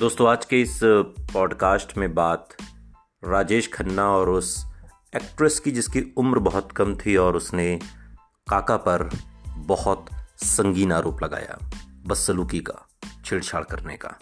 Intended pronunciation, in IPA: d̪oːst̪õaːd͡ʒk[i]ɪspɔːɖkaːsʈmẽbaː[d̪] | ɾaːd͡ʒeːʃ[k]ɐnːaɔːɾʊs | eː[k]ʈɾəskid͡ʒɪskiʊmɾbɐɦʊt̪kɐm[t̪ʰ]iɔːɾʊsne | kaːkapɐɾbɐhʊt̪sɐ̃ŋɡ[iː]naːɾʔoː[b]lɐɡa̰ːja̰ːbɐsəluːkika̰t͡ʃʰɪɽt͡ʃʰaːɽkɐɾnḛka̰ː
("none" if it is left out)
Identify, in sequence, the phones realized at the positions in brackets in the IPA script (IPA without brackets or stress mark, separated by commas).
e, t̪, kʰ, k, t̪ʰ, iː, p